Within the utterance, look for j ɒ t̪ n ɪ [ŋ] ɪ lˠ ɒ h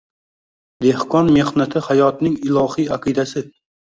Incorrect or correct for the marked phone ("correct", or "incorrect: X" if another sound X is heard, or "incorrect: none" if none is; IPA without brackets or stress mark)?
correct